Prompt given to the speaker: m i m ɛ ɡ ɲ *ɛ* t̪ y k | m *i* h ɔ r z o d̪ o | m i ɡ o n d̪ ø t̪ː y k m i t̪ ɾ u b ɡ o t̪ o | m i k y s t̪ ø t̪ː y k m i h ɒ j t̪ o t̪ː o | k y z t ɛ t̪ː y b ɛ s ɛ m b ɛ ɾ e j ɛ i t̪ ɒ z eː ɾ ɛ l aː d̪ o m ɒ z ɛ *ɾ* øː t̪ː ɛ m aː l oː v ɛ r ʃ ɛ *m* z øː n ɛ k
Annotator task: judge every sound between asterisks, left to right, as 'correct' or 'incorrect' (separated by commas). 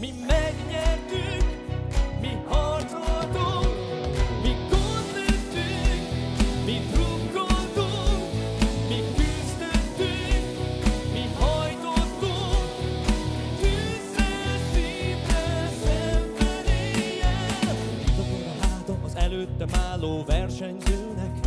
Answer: correct, correct, incorrect, incorrect